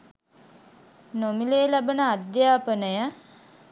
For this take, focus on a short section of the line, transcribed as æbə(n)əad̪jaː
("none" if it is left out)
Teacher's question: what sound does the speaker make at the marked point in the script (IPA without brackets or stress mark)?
n